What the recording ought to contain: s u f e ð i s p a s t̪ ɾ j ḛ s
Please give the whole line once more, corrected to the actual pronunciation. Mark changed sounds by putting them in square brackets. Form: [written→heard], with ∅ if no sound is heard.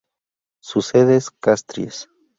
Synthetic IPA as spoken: s u [f→s] e ð [i→e] s [p→k] a s t̪ ɾ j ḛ s